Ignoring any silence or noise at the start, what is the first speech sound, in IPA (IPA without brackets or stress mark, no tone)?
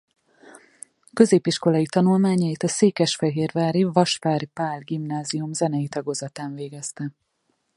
k